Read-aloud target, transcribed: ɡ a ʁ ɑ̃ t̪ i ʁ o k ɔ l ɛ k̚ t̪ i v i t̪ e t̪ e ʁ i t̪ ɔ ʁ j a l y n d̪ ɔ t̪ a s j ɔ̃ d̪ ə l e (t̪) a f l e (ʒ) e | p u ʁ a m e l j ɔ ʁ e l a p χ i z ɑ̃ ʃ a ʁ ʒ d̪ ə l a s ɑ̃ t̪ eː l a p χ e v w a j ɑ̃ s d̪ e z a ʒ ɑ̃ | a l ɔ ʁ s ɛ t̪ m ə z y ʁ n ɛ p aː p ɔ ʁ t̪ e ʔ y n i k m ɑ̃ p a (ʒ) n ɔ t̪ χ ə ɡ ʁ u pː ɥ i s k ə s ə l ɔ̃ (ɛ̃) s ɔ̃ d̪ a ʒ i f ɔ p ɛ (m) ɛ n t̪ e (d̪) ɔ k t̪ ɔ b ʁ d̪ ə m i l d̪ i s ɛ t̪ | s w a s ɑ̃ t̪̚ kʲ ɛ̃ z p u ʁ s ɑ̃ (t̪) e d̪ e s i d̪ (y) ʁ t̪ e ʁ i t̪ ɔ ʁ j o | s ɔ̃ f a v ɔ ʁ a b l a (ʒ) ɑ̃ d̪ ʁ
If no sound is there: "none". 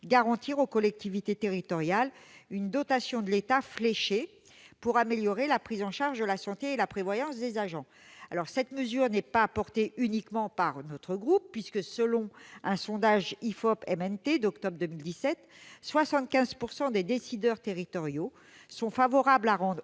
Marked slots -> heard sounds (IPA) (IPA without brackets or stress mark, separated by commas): t̪, ʃ, ʁ, ɛ̃, m, d̪, d̪, œ, ʁ